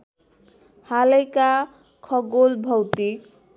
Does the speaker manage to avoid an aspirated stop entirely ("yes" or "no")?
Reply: no